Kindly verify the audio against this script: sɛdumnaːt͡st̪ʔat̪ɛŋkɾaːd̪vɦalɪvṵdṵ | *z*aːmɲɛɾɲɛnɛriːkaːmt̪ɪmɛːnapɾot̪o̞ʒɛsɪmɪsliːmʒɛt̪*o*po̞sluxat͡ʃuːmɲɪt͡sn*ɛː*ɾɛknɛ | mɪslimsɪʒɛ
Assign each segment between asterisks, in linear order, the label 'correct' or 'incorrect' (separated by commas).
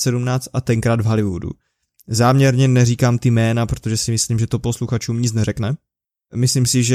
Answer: correct, correct, incorrect